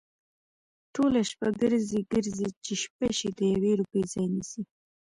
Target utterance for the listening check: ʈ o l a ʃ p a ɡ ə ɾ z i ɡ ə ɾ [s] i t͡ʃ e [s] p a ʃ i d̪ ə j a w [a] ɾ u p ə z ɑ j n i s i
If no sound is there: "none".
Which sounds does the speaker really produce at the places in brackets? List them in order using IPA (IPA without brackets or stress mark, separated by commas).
z, ʃ, e